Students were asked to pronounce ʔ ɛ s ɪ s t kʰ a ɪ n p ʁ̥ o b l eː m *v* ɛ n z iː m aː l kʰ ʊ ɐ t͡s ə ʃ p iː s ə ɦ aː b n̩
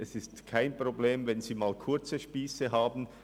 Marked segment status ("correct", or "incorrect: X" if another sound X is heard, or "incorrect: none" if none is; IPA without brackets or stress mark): correct